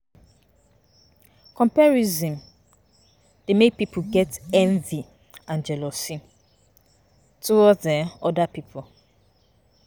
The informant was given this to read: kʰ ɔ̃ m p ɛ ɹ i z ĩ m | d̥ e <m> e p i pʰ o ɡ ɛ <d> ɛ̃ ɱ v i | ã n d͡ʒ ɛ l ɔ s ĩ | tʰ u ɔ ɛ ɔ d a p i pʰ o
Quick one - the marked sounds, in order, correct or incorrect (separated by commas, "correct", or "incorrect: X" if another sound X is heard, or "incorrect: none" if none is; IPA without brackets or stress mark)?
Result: correct, incorrect: t